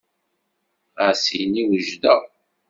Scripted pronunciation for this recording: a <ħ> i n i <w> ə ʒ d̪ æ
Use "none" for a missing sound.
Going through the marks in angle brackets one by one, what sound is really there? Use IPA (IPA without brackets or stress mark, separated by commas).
s, w